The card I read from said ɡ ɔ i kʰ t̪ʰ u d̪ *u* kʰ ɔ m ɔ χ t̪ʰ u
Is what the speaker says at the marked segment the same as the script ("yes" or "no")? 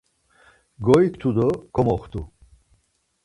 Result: no